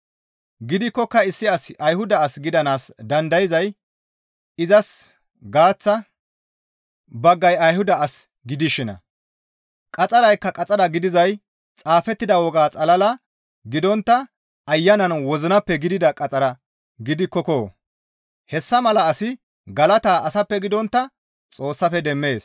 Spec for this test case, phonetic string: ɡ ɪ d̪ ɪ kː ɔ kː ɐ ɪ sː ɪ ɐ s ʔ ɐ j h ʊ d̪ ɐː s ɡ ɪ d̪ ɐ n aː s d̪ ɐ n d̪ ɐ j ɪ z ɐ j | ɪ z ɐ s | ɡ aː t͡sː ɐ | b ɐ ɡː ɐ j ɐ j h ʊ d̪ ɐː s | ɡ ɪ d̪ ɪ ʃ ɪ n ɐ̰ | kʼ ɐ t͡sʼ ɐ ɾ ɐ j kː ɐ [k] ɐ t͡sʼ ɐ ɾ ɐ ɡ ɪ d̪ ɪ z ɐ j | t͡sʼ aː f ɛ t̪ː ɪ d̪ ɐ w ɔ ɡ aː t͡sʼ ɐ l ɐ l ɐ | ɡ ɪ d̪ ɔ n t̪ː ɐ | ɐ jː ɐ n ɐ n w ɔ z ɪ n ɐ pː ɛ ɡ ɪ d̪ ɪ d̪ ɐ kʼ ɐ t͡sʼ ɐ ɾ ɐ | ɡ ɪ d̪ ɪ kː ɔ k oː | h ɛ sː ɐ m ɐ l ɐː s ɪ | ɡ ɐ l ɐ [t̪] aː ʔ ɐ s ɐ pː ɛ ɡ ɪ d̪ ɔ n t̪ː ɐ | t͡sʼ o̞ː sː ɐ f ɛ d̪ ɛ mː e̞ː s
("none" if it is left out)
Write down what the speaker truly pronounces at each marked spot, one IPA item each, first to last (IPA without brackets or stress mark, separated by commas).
kʼ, t̪